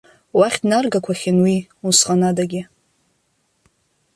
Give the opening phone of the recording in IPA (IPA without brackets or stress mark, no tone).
w